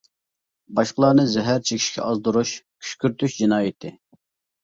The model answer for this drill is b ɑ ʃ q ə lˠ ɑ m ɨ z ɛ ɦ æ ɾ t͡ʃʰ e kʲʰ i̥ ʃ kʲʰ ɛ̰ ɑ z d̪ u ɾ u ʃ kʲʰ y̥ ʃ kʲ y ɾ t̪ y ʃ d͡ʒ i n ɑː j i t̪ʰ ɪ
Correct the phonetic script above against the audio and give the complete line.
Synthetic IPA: b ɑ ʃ q ə lˠ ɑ n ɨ z ɛ ɦ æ ɾ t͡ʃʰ e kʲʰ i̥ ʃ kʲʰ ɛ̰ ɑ z d̪ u ɾ u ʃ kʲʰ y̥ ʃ kʲ y ɾ t̪ y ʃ d͡ʒ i n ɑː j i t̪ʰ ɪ